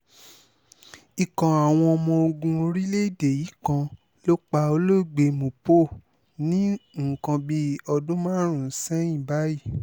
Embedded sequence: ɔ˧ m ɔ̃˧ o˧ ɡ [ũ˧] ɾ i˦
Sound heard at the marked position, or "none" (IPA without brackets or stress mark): ũ˧